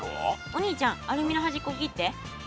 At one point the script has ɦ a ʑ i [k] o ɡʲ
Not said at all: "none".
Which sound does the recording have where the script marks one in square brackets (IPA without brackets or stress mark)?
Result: k